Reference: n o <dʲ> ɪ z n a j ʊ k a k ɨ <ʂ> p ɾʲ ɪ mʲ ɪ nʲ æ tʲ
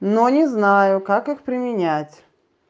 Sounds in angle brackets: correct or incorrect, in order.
incorrect, incorrect

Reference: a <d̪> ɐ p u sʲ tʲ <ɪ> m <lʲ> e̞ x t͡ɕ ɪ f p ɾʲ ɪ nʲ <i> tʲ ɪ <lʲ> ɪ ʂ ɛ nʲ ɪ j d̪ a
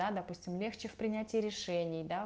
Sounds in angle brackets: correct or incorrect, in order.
correct, correct, correct, incorrect, incorrect

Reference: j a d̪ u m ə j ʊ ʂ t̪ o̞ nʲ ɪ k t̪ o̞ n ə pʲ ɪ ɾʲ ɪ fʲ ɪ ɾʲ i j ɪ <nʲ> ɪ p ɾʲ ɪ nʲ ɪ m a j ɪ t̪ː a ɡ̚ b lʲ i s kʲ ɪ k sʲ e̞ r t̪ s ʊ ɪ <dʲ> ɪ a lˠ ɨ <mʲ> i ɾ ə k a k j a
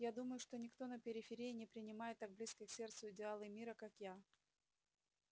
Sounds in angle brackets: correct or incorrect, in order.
correct, correct, correct

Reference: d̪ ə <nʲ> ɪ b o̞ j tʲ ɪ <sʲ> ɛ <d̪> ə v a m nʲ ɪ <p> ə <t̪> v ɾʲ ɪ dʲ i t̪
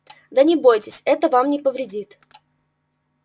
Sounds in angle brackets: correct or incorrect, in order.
correct, correct, incorrect, correct, incorrect

